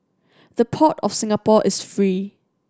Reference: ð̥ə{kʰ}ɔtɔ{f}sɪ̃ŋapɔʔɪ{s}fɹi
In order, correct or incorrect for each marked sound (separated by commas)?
incorrect, correct, correct